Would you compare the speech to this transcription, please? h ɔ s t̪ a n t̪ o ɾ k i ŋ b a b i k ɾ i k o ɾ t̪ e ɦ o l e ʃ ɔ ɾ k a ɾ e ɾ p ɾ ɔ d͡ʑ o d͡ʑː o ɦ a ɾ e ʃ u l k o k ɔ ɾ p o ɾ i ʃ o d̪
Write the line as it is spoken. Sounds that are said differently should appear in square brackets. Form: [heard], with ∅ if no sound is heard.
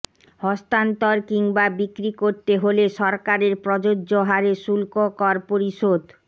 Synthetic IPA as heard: h ɔ s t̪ a n t̪ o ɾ k i ŋ b a b i k ɾ i k o ɾ t̪ e ɦ o l e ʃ ɔ ɾ k a ɾ e ɾ p ɾ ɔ d͡ʑ o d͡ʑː o ɦ a ɾ e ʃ u l k o k ɔ ɾ p o ɾ i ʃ o d̪